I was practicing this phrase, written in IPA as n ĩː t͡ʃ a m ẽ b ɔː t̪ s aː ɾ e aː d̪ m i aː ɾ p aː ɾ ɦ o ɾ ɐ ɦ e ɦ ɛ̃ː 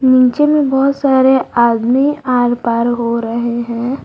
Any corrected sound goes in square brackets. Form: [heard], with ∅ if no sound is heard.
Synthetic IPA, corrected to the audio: n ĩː t͡ʃ [e] m ẽ b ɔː t̪ s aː ɾ e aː d̪ m i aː ɾ p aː ɾ ɦ o ɾ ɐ ɦ e ɦ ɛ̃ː